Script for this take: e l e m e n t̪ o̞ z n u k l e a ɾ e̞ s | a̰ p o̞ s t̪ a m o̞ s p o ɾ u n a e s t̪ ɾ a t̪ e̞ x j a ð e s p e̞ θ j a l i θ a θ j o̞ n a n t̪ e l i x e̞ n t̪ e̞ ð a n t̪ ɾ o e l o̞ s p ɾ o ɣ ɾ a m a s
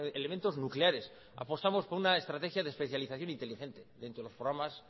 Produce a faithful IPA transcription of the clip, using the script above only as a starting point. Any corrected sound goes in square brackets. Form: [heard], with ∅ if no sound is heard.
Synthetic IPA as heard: e l e m e n t̪ o̞ z n u k l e a ɾ e̞ s | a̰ p o̞ s t̪ a m o̞ s p o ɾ u n a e s t̪ ɾ a t̪ e̞ x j a ð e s p e̞ θ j a l i θ a θ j o̞ n [i] n t̪ e l i x e̞ n t̪ e̞ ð [e] n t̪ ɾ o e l o̞ s p ɾ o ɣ ɾ a m a s